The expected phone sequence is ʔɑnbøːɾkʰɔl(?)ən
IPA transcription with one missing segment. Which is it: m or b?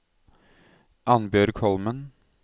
m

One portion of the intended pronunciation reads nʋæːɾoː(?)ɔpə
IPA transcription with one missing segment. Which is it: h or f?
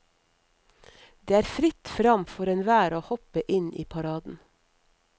h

